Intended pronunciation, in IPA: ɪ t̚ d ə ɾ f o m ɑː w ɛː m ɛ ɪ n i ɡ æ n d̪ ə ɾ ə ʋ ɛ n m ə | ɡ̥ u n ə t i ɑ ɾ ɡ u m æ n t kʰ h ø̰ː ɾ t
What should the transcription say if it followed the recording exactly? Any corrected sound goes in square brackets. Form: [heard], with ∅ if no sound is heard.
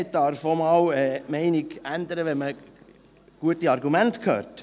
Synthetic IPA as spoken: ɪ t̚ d [ɑ] ɾ f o m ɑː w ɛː m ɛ ɪ n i ɡ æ n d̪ ə ɾ ə ʋ ɛ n m ə | ɡ̥ u [∅] ə t i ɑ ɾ ɡ u m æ n t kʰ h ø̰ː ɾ t